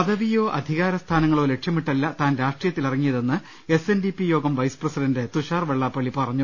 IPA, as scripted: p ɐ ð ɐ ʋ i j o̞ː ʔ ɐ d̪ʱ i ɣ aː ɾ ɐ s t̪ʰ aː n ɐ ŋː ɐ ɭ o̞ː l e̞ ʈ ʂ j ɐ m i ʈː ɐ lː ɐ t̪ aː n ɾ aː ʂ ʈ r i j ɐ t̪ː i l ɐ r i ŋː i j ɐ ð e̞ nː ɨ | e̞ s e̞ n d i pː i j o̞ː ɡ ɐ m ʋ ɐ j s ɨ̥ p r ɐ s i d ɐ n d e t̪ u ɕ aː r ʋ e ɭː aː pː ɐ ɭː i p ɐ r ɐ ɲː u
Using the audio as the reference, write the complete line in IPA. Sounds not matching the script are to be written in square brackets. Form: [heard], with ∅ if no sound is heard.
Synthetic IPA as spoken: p ɐ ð ɐ ʋ i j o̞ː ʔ ɐ d̪ʱ i ɣ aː ɾ ɐ s t̪ʰ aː n ɐ ŋː ɐ ɭ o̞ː l e̞ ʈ ʂ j ɐ m i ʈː ɐ lː ɐ t̪ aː n ɾ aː ʂ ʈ r i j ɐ t̪ː i l ɐ r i ŋː i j ɐ ð e̞ nː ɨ | e̞ s e̞ n d i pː i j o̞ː ɡ ɐ m ʋ ɐ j s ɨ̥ p r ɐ s i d ɐ n d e t̪ u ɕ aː r ʋ e ɭː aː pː ɐ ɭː i p ɐ r ɐ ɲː u

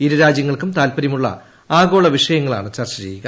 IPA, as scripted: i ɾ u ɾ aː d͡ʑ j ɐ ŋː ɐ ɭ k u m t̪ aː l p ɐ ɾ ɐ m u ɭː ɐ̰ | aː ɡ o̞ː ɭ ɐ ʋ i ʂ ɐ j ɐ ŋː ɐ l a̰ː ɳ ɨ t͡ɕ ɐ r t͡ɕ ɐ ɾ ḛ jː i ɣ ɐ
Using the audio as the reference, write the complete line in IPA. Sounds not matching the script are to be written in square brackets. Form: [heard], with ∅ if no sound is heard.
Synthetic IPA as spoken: i ɾ u ɾ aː d͡ʑ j ɐ ŋː ɐ ɭ k u m t̪ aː l p ɐ ɾ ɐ m u ɭː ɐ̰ | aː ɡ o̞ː ɭ ɐ ʋ i ʂ ɐ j ɐ ŋː ɐ [ɭ] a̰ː ɳ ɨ t͡ɕ ɐ r t͡ɕ ɐ ɾ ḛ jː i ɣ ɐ

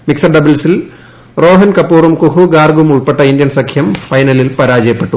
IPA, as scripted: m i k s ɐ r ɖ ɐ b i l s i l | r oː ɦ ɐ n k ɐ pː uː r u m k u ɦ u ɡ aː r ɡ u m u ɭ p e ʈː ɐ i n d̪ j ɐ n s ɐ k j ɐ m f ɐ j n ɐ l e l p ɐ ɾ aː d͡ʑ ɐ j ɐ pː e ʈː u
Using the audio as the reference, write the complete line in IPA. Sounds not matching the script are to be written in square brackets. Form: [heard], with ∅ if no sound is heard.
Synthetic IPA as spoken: m i k s ɐ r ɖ ɐ b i l s i l | r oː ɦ ɐ n k ɐ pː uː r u m k u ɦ u ɡ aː r ɡ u m u ɭ p e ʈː ɐ i n d̪ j ɐ n s ɐ [kʰ] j ɐ m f ɐ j n ɐ l [i] l p ɐ ɾ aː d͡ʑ ɐ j ɐ pː e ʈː u

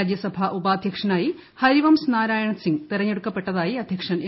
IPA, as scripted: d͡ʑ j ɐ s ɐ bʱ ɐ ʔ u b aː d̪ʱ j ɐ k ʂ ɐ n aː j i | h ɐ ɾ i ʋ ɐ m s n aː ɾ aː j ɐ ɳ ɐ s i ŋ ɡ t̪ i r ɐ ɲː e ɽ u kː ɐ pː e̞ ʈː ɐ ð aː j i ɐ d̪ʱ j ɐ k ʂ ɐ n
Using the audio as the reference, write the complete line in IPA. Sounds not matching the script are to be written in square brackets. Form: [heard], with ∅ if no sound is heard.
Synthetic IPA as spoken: d͡ʑ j ɐ s ɐ bʱ ɐ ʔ u b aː d̪ʱ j ɐ k ʂ ɐ n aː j i | h ɐ ɾ i ʋ ɐ m s n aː ɾ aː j ɐ ɳ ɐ s i ŋ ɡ t̪ i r ɐ ɲː e ɽ u kː ɐ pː e̞ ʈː ɐ ð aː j i ɐ d̪ʱ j ɐ k ʂ ɐ n

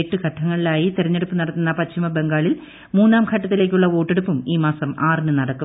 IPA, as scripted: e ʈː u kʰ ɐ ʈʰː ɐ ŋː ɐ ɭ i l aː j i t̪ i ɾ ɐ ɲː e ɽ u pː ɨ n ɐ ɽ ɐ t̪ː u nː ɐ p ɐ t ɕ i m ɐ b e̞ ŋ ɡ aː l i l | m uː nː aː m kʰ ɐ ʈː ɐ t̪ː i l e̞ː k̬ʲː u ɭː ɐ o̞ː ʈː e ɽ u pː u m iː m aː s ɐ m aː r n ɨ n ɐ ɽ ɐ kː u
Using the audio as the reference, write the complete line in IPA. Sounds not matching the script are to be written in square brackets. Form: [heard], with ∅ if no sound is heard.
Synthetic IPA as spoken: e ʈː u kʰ ɐ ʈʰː ɐ ŋː ɐ ɭ i l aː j i t̪ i ɾ ɐ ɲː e ɽ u pː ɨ n ɐ ɽ ɐ t̪ː u nː ɐ p ɐ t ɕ i m ɐ b e̞ ŋ ɡ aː [ɭ] i l | m uː nː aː m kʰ ɐ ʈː ɐ t̪ː i l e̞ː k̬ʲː u ɭː ɐ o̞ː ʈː e ɽ u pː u m iː m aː s ɐ m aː r n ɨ n ɐ ɽ ɐ kː u

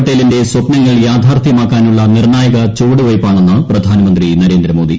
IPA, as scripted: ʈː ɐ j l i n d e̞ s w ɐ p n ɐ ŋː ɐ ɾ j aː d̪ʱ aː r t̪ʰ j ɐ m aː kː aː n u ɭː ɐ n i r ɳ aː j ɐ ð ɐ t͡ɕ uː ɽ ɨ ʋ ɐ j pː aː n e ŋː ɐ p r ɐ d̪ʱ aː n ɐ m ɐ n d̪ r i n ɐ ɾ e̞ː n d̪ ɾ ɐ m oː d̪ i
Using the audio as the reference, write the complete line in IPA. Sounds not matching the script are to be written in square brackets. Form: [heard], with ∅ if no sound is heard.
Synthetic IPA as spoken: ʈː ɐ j l i n d e̞ s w ɐ p n ɐ ŋː ɐ [ɭ] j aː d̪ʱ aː r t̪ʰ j ɐ m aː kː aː n u ɭː ɐ n i r ɳ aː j ɐ [ɣ] ɐ t͡ɕ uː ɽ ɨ ʋ ɐ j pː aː [ɳ] e [nː] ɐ p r ɐ d̪ʱ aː n ɐ m ɐ n d̪ r i n ɐ ɾ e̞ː n d̪ ɾ ɐ m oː d̪ i

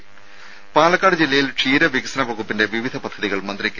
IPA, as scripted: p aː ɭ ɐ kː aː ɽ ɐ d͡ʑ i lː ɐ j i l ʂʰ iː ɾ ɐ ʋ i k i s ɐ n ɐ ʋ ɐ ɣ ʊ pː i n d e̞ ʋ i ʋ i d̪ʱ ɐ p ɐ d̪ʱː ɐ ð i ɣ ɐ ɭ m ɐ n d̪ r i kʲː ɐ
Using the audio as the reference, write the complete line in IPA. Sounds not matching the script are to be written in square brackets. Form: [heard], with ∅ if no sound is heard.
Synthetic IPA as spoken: p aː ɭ ɐ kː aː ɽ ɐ d͡ʑ i lː ɐ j i l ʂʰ iː ɾ ɐ ʋ i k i s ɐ n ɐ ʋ ɐ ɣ [u] pː i n d e̞ ʋ i ʋ i d̪ʱ ɐ p ɐ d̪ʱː ɐ ð i ɣ ɐ ɭ m ɐ n d̪ r i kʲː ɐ

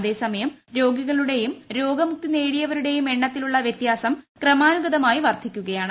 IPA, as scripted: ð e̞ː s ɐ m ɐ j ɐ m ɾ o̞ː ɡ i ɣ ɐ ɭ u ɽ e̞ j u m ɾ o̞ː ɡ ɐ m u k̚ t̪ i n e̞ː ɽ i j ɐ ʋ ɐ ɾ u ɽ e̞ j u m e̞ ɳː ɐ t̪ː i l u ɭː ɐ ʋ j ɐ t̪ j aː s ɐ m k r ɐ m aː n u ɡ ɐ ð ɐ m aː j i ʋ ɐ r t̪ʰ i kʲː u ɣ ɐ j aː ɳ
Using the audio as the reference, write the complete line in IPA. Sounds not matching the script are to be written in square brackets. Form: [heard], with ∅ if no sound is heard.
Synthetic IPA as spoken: ð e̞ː s ɐ m ɐ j ɐ m ɾ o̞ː ɡ i ɣ ɐ ɭ u ɽ e̞ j u m ɾ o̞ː ɡ ɐ m u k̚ t̪ i n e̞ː ɽ i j ɐ ʋ ɐ ɾ u ɽ e̞ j u m e̞ ɳː ɐ t̪ː i l u ɭː ɐ ʋ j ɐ t̪ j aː s ɐ m k r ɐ m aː n u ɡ ɐ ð ɐ m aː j i ʋ ɐ r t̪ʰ i kʲː u ɣ ɐ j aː ɳ

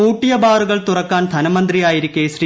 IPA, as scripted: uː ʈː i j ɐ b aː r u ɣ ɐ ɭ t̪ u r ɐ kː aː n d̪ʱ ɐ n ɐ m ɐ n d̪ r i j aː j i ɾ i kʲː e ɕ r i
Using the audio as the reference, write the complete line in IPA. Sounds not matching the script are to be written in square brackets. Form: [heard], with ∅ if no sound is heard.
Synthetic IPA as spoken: uː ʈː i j ɐ b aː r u ɣ ɐ ɭ t̪ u r ɐ kː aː n d̪ʱ ɐ n ɐ m ɐ n d̪ r i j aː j i ɾ i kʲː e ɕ r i

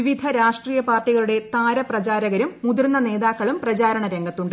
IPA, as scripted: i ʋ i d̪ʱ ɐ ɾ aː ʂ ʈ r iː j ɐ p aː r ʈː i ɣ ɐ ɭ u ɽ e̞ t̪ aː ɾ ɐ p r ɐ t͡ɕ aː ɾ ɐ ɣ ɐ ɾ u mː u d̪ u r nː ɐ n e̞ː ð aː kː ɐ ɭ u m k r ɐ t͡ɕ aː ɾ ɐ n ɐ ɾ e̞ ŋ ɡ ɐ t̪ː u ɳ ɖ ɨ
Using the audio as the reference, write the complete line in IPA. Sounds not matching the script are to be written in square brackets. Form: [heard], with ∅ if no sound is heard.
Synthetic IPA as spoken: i ʋ i d̪ʱ ɐ ɾ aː ʂ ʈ r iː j ɐ p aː r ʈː i ɣ ɐ ɭ u ɽ e̞ t̪ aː ɾ ɐ p r ɐ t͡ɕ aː ɾ ɐ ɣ ɐ ɾ u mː u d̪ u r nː ɐ n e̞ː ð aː kː ɐ ɭ u m [p] r ɐ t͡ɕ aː ɾ ɐ [ɳ] ɐ ɾ e̞ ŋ ɡ ɐ t̪ː u ɳ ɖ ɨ

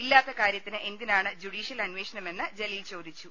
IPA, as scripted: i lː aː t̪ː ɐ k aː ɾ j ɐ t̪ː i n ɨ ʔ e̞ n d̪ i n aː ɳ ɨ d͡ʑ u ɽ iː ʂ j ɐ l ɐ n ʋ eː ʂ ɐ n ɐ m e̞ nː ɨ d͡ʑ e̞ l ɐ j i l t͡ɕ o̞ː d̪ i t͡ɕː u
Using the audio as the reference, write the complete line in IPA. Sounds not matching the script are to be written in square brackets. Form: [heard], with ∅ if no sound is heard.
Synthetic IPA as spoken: i lː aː t̪ː ɐ k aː ɾ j ɐ t̪ː i n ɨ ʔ e̞ n d̪ i n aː ɳ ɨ d͡ʑ u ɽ iː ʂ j ɐ l ɐ n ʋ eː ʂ ɐ n ɐ m e̞ nː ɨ d͡ʑ e̞ l ɐ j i l t͡ɕ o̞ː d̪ i t͡ɕː u

